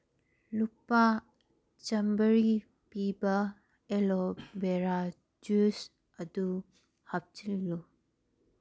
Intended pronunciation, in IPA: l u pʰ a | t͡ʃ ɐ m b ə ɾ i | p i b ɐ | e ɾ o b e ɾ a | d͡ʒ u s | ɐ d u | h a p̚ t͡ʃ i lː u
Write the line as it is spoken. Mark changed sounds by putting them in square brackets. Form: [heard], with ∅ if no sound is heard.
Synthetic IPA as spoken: l u [p] a | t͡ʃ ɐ m b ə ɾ i | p i b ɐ | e [l] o b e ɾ a | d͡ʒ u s | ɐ d u | h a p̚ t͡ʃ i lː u

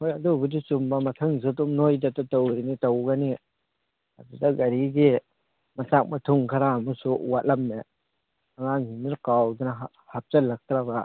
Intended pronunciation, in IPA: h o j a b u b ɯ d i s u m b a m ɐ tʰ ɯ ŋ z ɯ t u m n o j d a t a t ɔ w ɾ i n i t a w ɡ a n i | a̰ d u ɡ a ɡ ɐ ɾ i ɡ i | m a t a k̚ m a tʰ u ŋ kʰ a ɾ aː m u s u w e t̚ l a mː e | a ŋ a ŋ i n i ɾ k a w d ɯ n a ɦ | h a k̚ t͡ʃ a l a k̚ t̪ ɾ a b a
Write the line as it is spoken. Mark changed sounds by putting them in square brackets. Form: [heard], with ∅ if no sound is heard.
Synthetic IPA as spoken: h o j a [d] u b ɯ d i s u m b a m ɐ tʰ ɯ ŋ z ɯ t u m n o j d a t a t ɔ w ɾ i n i t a w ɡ a n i | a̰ d u [d] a ɡ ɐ ɾ i ɡ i | m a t a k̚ m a tʰ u ŋ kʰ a ɾ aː m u s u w [a] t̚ l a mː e | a ŋ a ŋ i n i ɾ k a w d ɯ n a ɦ | h a [p̚] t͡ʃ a l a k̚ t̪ ɾ a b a

